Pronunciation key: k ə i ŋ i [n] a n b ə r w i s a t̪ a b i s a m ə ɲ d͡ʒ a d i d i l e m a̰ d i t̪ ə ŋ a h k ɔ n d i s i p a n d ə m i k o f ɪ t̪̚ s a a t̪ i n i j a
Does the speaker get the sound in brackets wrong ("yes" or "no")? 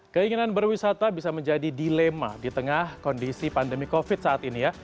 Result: no